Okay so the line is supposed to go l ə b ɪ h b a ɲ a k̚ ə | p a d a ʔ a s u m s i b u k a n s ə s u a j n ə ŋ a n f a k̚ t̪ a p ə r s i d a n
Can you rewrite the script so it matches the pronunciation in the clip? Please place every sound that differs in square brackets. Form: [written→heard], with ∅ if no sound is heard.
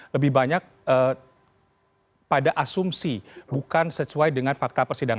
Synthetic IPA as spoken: l ə b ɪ h b a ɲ a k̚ ə | p a d a ʔ a s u m s i b u k a n s ə s u a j [n→d] ə ŋ a n f a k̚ t̪ a p ə r s i d a [n→ŋ]